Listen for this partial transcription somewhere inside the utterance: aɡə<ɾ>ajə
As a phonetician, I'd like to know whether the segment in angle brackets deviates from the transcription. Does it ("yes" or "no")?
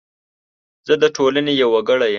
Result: yes